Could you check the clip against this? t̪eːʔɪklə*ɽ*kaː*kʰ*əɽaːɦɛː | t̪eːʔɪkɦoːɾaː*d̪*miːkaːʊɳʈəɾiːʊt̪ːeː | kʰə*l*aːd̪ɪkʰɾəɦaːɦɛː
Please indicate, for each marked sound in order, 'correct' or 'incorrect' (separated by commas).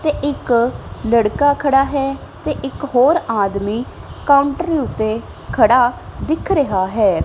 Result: correct, correct, correct, incorrect